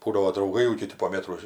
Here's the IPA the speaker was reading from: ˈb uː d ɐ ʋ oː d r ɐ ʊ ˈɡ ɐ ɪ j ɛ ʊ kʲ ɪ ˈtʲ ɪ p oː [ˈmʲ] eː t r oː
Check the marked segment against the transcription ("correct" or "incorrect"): correct